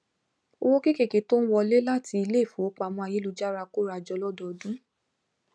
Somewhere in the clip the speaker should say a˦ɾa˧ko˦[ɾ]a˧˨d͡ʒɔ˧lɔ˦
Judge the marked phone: correct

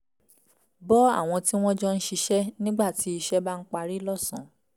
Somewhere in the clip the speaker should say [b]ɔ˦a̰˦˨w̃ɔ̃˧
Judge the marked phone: correct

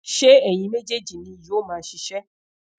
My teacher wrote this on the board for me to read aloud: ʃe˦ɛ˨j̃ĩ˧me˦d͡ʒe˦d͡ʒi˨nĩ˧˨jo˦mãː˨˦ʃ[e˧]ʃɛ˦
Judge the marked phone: incorrect: i˧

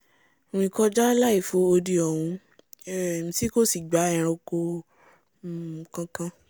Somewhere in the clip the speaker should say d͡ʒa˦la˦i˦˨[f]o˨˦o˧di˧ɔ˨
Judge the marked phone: correct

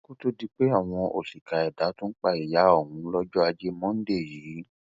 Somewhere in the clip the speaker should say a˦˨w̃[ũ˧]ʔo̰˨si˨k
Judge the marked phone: incorrect: ɔ̃˧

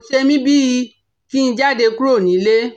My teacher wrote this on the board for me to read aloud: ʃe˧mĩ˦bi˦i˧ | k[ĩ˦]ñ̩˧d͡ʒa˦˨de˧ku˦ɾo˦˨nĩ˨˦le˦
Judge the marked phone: incorrect: i˦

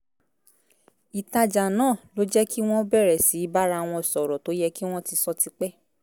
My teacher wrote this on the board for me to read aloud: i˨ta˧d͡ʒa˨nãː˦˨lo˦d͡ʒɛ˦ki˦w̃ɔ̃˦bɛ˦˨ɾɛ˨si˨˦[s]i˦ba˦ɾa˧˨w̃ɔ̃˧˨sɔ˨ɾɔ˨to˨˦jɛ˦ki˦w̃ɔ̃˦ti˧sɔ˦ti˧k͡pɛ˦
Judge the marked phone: incorrect: none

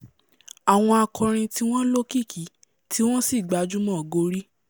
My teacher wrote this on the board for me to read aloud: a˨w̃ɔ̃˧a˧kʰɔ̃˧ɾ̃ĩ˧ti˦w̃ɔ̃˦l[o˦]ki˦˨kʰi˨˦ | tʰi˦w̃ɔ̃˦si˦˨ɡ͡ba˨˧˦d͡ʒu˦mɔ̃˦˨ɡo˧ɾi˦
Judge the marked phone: correct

